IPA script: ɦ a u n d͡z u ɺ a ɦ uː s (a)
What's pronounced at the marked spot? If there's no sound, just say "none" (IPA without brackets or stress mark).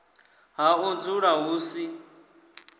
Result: i